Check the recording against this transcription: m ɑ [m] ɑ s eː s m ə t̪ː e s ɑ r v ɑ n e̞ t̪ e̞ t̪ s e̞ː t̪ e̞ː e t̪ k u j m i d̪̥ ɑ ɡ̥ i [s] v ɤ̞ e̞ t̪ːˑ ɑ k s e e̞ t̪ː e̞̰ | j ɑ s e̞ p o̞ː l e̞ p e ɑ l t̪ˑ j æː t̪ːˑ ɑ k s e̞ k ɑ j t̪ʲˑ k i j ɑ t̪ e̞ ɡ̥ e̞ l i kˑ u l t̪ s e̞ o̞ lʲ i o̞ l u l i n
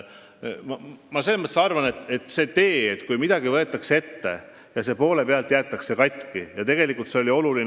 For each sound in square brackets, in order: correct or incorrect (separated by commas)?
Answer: correct, incorrect